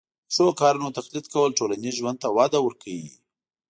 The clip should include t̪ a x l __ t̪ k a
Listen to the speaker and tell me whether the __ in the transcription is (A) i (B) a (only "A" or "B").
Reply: A